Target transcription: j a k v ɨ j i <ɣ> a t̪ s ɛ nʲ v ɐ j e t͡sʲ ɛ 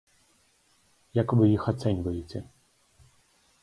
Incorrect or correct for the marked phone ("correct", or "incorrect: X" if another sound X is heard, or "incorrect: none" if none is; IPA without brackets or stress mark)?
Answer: incorrect: x